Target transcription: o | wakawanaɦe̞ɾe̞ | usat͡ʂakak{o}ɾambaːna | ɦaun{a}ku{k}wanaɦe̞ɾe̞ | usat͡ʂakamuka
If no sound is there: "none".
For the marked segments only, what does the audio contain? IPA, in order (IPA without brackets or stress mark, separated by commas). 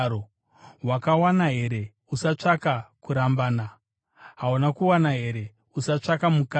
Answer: u, a, none